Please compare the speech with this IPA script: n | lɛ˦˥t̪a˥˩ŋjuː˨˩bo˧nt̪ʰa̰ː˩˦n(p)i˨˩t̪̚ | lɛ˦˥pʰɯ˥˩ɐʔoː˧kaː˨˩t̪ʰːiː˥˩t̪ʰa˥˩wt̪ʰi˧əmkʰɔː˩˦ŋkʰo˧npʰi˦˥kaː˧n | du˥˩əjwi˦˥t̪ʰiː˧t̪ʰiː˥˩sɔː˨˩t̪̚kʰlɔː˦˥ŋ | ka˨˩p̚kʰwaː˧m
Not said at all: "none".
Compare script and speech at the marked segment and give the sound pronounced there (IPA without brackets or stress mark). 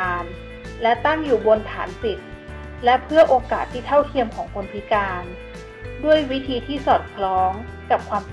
p